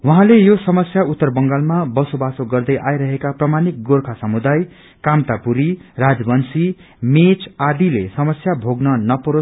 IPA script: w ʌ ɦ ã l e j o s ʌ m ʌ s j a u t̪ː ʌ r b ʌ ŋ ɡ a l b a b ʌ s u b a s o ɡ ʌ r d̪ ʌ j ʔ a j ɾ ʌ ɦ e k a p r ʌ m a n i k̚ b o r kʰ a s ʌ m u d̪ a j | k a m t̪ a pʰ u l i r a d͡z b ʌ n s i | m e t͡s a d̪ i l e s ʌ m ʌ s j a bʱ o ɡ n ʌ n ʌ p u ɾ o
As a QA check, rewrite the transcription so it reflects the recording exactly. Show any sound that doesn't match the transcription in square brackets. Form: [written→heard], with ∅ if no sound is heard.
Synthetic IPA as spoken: w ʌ ɦ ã l e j o s ʌ m ʌ s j a u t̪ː ʌ r b ʌ ŋ ɡ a l [b→m] a b ʌ s [u→o] b a s o ɡ ʌ r d̪ ʌ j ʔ a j ɾ ʌ ɦ e k a p r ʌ m a n i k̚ [b→ɡ] o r kʰ a s ʌ m u d̪ a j | k a m t̪ a [pʰ→p] u [l→ɾ] i r a d͡z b ʌ n s i | m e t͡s a d̪ i l e s ʌ m ʌ s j a bʱ o ɡ n ʌ n ʌ p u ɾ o